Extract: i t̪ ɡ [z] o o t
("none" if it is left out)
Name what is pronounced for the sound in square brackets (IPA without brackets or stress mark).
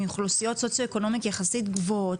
v